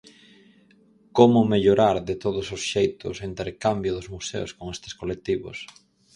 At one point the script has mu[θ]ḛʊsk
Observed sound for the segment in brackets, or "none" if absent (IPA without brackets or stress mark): s